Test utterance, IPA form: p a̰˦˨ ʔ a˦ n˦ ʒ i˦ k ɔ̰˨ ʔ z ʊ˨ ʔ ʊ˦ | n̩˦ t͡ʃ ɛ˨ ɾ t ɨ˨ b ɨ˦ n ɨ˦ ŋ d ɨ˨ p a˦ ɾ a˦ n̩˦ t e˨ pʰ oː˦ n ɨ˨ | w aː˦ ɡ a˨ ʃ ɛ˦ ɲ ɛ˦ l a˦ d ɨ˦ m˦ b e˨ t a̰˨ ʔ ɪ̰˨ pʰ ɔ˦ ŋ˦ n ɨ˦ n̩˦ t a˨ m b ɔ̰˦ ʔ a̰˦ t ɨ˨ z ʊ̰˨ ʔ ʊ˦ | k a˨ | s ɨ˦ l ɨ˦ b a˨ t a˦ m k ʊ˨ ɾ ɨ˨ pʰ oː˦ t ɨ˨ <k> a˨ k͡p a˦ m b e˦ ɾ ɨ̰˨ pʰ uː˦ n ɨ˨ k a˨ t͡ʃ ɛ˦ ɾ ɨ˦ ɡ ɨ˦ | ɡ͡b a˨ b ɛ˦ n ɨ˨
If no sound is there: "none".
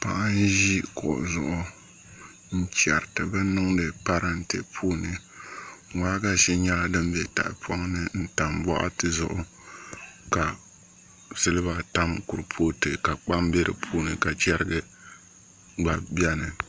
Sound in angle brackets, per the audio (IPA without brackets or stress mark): k